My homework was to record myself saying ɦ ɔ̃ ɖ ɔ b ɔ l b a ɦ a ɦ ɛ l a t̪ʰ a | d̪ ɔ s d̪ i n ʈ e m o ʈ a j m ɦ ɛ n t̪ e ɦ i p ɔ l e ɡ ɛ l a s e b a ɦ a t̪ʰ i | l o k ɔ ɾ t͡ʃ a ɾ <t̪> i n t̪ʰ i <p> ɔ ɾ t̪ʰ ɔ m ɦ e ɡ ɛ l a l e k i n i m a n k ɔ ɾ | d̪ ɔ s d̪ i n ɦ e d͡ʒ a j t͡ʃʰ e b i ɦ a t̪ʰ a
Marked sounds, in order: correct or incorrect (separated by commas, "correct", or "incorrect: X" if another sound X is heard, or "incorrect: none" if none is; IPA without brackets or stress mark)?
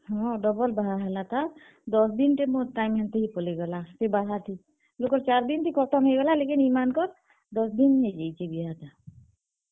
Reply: incorrect: d̪, incorrect: k